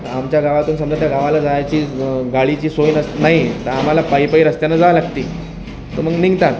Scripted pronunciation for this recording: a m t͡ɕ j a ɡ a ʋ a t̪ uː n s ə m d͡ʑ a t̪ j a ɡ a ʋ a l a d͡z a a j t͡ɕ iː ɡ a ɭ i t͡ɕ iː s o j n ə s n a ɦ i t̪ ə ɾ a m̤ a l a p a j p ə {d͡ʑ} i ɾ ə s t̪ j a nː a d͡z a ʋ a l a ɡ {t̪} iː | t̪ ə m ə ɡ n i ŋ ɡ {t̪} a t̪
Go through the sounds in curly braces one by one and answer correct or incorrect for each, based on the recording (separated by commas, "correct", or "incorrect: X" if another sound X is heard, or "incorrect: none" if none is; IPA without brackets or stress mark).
incorrect: none, correct, correct